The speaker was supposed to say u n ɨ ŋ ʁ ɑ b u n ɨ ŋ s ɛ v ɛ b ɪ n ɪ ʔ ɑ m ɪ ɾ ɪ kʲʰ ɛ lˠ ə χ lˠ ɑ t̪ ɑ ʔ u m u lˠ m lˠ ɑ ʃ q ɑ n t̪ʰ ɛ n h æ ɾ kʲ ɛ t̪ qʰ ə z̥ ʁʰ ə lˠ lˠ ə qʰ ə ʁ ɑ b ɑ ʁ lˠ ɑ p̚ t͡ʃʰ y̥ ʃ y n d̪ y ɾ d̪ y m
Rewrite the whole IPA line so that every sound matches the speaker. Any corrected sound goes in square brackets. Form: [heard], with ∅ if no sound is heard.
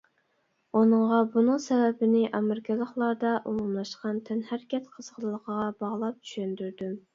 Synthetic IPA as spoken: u n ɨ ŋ ʁ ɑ b u n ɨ ŋ s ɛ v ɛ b ɪ n ɪ ʔ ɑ m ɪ ɾ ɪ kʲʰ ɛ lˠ ə χ lˠ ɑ [d̪] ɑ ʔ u m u [∅] m lˠ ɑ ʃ q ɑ n t̪ʰ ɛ n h æ ɾ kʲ ɛ t̪ qʰ ə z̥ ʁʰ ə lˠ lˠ ə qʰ ə ʁ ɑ b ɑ ʁ lˠ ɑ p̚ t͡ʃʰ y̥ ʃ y n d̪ y ɾ d̪ y m